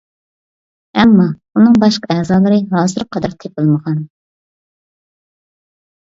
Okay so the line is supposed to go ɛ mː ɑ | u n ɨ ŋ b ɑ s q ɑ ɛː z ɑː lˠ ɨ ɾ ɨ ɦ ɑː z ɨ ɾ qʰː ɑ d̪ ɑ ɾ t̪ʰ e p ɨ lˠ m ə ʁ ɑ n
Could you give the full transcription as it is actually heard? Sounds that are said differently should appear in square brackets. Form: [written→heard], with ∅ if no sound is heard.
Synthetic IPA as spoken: ɛ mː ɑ | u n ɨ ŋ b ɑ [s→ʃ] q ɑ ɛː z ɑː lˠ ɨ ɾ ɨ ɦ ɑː z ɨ ɾ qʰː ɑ d̪ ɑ ɾ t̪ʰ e p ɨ lˠ m ə ʁ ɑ n